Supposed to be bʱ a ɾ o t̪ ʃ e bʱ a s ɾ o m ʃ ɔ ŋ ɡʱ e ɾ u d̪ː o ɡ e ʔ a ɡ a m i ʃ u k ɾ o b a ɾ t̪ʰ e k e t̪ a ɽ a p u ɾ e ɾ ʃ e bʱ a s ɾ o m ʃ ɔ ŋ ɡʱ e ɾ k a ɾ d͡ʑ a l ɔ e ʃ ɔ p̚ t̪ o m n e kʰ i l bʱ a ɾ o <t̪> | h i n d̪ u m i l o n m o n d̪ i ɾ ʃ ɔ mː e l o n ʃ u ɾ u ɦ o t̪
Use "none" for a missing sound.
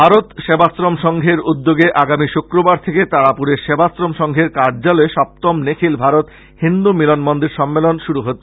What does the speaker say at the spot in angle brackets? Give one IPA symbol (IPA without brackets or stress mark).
t̪